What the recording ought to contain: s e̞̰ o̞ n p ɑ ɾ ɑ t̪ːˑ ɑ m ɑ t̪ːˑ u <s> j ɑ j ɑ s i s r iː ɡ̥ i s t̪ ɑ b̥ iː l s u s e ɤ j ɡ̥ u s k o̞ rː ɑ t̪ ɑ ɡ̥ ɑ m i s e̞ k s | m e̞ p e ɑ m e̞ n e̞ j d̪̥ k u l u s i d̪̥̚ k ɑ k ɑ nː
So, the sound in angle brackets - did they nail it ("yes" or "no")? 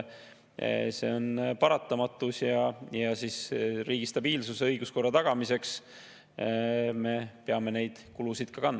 yes